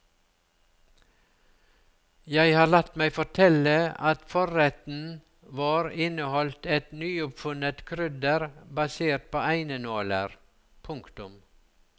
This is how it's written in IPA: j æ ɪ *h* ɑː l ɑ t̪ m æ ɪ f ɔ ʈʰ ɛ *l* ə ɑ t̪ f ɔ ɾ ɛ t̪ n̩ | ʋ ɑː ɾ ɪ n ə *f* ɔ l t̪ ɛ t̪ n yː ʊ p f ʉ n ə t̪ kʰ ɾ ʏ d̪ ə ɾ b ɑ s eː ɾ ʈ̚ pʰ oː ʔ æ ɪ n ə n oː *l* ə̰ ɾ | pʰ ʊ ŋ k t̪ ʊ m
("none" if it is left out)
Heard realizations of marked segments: h, l, h, l

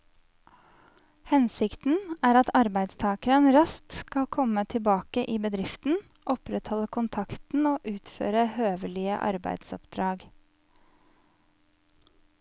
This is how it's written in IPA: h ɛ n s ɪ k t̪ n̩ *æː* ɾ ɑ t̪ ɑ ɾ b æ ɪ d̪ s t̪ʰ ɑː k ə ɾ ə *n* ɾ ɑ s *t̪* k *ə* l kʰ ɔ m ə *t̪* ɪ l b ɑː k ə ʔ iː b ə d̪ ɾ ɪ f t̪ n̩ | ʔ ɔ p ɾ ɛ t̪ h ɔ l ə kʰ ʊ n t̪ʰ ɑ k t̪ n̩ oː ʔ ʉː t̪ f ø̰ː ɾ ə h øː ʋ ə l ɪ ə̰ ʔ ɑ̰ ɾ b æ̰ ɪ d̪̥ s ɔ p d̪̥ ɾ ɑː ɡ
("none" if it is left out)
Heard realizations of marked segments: æː, n, t̪, ɑ, t̪ʰ

